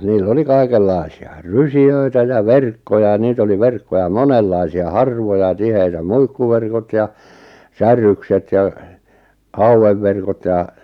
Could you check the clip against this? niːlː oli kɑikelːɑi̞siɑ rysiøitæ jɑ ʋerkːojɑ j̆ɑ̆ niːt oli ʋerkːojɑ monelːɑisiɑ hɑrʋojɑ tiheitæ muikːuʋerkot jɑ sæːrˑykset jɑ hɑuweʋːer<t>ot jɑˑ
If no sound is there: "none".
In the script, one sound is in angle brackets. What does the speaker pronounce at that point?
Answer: k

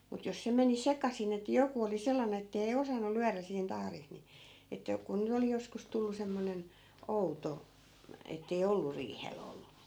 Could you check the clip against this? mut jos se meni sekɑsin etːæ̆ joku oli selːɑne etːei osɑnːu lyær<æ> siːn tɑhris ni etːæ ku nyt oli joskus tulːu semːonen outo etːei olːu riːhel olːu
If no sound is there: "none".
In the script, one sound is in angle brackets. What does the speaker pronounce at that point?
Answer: æ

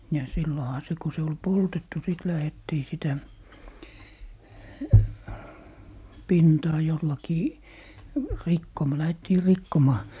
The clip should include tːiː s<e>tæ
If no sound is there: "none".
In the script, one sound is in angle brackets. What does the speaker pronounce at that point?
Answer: i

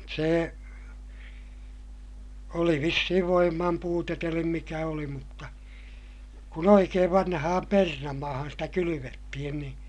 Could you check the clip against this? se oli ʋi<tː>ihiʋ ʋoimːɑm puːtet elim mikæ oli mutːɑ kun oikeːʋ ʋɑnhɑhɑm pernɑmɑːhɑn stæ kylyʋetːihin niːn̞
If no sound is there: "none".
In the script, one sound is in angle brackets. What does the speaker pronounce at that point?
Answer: sː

